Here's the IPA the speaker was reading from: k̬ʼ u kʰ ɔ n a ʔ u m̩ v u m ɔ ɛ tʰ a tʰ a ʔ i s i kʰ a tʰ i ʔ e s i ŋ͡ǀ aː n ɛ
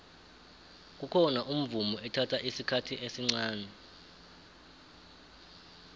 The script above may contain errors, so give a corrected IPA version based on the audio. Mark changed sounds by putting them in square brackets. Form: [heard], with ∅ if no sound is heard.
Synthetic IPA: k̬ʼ u kʰ ɔ n a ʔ u m̩ v u m ɔ ɛ tʰ a tʰ a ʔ i s i kʰ a tʰ i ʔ e s i ŋ͡ǀ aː n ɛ